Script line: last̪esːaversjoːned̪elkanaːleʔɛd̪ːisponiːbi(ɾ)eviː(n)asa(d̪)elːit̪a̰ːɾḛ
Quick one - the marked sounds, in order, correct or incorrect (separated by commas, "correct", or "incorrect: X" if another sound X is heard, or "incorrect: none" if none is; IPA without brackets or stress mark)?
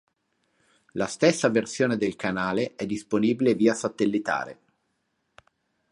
incorrect: l, incorrect: none, incorrect: t̪